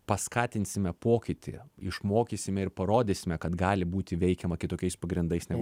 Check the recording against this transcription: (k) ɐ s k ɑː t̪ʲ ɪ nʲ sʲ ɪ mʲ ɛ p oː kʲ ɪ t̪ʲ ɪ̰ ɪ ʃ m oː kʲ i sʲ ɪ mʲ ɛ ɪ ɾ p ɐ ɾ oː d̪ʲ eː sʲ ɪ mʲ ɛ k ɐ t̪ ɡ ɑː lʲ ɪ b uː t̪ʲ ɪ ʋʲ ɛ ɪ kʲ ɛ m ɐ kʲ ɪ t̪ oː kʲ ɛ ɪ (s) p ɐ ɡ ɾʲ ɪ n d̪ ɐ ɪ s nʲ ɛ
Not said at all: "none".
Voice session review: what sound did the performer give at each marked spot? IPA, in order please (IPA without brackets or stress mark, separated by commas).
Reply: p, s